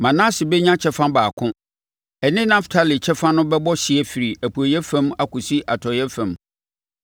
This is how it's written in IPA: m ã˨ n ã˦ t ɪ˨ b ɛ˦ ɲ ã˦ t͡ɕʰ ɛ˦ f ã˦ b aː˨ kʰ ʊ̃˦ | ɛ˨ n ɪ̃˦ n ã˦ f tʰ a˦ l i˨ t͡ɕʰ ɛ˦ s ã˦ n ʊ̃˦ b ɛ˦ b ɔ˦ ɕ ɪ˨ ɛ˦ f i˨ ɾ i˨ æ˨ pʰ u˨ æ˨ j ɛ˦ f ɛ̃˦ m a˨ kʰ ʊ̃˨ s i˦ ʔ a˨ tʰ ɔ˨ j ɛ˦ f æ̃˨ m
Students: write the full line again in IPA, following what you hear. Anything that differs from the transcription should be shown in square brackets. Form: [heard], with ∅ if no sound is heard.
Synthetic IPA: m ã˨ n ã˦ [s] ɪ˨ b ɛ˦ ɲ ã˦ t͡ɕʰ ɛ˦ f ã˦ b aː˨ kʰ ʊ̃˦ | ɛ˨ n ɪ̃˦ n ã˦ f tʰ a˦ l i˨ t͡ɕʰ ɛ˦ [f] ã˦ n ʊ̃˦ b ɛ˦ b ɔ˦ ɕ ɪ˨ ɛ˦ f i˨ ɾ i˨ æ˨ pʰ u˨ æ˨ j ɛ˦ f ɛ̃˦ m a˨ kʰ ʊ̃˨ s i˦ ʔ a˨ tʰ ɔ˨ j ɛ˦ f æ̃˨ m